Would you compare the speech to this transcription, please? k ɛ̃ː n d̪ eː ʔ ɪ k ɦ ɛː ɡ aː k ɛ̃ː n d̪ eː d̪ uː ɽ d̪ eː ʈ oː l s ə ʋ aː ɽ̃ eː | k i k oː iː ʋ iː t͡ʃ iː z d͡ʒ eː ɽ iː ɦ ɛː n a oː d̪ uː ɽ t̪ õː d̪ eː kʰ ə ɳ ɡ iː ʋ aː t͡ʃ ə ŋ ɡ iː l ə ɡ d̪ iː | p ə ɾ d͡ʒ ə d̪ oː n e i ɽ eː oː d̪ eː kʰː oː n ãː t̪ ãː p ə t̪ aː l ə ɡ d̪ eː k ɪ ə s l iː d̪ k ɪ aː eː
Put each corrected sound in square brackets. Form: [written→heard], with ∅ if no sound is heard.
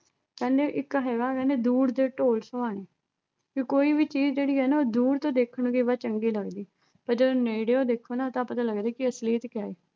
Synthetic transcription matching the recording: k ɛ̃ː n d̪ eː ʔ ɪ k ɦ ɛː ɡ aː k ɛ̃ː n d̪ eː d̪ uː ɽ d̪ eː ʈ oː l s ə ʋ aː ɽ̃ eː | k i k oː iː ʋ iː t͡ʃ iː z d͡ʒ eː ɽ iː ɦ ɛː n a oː d̪ uː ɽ t̪ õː d̪ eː kʰ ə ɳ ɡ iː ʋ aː t͡ʃ ə ŋ ɡ iː l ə ɡ d̪ iː | p ə ɾ d͡ʒ ə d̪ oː n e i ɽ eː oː d̪ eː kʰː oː n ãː t̪ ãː p ə t̪ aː l ə ɡ d̪ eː k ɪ ə s l iː [d̪→t̪] k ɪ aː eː